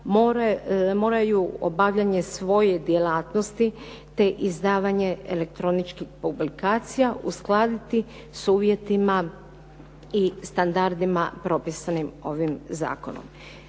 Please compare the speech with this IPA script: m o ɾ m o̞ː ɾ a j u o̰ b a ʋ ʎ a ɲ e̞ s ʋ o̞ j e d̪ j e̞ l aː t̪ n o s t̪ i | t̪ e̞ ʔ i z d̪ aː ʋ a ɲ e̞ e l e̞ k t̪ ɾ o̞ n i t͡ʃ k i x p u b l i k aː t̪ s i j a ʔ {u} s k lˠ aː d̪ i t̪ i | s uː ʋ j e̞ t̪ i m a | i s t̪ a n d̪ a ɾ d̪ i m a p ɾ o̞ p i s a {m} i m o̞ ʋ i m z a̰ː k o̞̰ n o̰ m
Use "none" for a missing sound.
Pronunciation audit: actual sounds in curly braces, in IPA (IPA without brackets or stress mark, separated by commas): u, n